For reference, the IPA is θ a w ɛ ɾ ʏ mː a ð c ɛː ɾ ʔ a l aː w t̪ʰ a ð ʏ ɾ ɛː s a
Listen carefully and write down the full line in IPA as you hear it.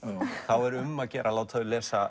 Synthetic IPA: θ a w ɛ ɾ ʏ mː a ð c ɛː ɾ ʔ a l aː w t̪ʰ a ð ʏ l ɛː s a